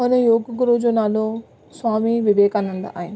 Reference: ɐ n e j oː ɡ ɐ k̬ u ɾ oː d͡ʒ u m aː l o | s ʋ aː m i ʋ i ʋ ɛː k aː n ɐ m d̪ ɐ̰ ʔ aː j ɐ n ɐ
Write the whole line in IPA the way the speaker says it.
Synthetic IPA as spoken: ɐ n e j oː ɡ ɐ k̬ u ɾ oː d͡ʒ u n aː l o | s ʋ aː m i ʋ i ʋ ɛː k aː n ɐ n d̪ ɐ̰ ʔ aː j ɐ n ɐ